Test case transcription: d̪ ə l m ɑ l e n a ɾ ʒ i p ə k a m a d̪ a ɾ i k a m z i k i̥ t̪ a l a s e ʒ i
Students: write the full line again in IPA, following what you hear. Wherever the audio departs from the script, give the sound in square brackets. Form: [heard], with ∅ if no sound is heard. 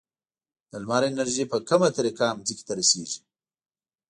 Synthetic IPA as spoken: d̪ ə l m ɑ [ɾ] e n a ɾ ʒ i p ə k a m a [t̪] a ɾ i k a m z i k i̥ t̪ a [ɾ] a s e ʒ i